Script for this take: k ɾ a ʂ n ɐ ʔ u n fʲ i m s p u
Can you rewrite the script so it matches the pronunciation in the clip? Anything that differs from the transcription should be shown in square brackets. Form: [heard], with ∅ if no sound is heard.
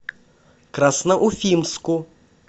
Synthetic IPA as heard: k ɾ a [s] n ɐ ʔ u [∅] fʲ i m s [k] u